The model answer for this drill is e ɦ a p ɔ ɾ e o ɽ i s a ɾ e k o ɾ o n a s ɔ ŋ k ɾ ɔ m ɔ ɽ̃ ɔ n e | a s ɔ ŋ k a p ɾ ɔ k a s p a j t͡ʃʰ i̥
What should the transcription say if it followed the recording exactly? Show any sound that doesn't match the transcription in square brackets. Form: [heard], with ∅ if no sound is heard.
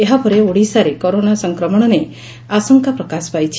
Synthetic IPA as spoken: e ɦ a p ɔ ɾ e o ɽ i s a ɾ e k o ɾ o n a s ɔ ŋ k ɾ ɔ m ɔ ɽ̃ ɔ n e | a s ɔ ŋ k a p ɾ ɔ k a s p a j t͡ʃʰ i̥